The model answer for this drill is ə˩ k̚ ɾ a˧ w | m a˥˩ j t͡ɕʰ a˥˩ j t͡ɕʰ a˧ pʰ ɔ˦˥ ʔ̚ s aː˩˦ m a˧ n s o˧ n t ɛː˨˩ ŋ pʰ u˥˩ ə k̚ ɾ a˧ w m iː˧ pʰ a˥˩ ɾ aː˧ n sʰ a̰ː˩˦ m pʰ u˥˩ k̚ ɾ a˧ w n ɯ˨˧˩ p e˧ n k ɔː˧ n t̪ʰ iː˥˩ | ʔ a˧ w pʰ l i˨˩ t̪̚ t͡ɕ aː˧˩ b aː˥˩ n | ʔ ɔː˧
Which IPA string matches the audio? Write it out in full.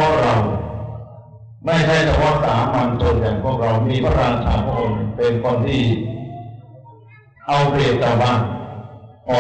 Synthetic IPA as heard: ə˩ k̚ ɾ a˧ w | m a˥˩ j t͡ɕʰ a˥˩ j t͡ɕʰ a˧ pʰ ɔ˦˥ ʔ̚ s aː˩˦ m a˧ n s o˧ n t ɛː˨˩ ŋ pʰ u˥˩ ə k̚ ɾ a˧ w m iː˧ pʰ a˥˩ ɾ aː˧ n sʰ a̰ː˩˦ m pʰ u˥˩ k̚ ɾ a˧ w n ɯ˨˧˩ p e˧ n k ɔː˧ n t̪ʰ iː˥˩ | ʔ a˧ w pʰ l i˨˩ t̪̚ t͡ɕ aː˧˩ b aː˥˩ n | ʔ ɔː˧